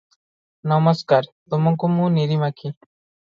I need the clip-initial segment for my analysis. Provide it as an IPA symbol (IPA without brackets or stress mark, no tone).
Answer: n